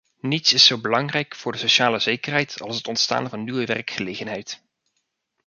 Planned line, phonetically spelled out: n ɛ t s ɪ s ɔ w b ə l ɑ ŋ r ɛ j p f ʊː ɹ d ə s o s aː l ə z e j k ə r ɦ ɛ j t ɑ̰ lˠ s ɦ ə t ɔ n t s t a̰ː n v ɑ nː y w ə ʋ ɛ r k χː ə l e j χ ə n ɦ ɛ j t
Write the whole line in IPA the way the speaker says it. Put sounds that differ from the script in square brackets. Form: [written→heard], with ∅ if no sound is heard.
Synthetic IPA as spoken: n [ɛ→i] t s ɪ s [ɔ→o] w b ə l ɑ ŋ r ɛ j [p→k] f ʊː ɹ d ə s o [s→ʃ] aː l ə z e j k ə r ɦ ɛ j t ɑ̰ lˠ s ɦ ə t ɔ n t s t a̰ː n v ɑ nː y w ə ʋ ɛ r k [χː→χ] ə l e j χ ə n ɦ ɛ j t